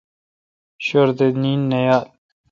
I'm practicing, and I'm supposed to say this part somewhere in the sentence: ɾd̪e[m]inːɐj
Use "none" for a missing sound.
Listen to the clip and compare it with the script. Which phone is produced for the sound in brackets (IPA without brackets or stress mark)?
n